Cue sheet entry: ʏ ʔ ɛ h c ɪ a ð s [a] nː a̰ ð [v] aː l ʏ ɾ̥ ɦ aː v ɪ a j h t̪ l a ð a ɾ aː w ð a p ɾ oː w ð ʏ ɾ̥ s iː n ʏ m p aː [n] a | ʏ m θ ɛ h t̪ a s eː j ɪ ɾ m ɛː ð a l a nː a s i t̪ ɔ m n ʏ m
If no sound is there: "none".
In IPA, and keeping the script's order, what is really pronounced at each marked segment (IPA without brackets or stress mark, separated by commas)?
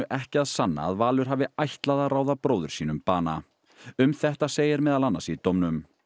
a, v, n